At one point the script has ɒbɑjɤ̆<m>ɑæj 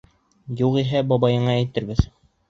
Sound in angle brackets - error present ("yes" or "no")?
yes